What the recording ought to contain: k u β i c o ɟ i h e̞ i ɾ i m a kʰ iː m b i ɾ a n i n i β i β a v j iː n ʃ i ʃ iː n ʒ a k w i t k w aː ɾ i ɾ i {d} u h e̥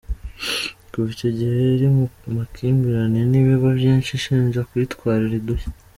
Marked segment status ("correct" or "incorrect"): correct